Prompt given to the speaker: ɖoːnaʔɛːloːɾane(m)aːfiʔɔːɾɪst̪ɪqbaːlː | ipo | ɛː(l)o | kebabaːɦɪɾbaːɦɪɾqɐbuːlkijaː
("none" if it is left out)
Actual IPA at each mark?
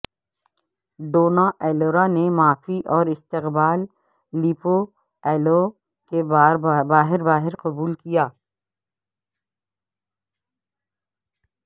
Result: m, l

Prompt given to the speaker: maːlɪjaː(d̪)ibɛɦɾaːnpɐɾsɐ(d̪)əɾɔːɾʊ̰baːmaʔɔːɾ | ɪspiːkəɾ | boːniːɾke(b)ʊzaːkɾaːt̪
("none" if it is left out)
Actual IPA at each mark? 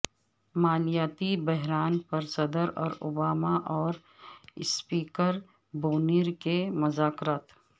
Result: t̪, d̪, m

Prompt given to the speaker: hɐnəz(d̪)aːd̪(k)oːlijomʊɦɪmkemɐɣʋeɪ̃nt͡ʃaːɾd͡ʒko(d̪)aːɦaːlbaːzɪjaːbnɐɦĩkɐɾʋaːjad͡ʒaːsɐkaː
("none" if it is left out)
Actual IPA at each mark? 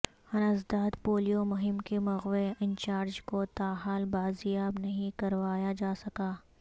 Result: d̪, p, t̪

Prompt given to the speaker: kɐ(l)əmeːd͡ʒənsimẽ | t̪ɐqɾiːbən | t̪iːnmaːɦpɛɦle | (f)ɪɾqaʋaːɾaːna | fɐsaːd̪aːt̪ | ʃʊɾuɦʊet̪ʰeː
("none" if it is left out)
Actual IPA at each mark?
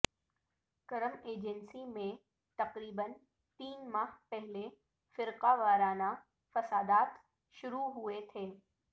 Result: ɾ, f

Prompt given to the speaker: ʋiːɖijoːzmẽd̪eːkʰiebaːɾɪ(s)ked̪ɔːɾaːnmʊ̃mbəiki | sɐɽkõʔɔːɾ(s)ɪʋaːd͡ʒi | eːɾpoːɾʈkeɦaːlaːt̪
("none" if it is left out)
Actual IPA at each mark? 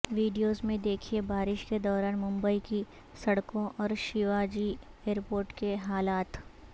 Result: ʃ, ʃ

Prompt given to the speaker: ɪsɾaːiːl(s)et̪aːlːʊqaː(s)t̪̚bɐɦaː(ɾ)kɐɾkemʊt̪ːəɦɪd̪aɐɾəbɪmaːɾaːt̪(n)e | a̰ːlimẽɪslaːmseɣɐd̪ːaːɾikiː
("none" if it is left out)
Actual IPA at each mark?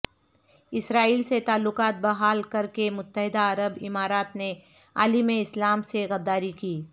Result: s, none, l, n

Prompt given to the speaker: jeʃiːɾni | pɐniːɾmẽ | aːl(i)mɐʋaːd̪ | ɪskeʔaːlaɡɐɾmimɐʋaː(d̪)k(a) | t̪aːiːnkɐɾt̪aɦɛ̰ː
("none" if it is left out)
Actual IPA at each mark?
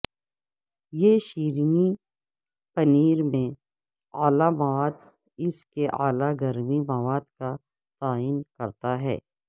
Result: a, d̪, a

